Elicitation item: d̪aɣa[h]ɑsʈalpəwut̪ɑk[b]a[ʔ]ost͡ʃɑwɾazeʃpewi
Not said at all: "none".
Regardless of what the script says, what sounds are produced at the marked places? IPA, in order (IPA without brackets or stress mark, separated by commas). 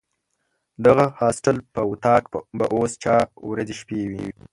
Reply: h, b, ʔ